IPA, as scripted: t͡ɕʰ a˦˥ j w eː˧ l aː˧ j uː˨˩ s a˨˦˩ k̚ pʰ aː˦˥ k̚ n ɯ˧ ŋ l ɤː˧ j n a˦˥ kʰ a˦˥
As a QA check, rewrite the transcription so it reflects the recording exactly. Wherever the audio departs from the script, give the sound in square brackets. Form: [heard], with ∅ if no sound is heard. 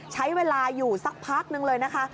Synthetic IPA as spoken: t͡ɕʰ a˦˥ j w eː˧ l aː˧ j uː˨˩ s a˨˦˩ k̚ pʰ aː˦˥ k̚ n ɯ˧ ŋ l ɤː˧ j n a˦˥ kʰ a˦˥